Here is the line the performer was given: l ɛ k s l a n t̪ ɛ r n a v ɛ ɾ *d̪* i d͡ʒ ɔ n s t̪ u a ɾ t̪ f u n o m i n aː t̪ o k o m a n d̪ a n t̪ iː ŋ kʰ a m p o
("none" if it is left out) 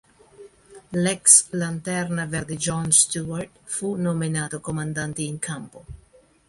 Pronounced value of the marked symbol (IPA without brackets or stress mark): d̪